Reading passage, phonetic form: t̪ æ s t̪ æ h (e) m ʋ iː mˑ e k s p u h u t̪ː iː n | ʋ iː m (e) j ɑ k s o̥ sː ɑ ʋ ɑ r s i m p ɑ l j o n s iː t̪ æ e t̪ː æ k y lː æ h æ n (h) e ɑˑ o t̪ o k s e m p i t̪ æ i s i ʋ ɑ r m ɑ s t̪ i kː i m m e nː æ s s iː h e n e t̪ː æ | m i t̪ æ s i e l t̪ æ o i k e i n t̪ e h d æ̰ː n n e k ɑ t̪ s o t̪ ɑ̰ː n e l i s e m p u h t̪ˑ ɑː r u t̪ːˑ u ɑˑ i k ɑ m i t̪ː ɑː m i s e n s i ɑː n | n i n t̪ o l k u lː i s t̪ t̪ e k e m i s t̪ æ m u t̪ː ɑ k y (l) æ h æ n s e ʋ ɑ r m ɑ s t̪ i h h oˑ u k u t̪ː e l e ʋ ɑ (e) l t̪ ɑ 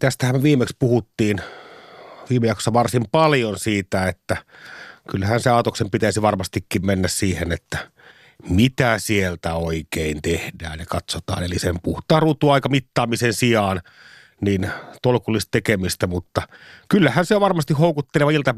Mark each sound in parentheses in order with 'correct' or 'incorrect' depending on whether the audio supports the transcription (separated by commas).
incorrect, correct, incorrect, incorrect, incorrect